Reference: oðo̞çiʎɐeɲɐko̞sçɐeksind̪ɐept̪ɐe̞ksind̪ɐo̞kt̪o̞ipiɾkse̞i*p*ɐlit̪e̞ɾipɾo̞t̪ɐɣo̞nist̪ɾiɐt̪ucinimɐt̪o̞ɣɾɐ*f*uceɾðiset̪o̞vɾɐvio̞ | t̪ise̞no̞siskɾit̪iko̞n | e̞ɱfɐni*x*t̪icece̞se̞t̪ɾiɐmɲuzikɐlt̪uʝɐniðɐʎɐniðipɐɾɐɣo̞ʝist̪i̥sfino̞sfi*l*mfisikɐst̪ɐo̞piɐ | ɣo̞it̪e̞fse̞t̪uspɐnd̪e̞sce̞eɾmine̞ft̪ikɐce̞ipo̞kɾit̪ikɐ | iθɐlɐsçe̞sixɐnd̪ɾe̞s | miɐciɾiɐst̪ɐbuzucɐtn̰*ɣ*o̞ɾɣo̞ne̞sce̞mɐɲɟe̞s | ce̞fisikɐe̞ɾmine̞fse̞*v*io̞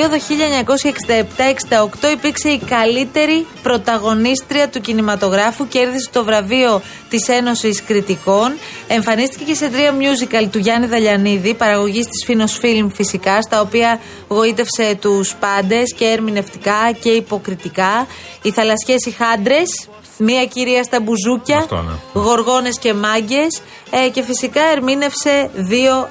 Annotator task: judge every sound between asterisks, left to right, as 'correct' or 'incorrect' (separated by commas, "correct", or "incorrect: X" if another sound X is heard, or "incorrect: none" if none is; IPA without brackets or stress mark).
incorrect: k, correct, incorrect: s, correct, correct, incorrect: ð